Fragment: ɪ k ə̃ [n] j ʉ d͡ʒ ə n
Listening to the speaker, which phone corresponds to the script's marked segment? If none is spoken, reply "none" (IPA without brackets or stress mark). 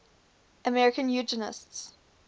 n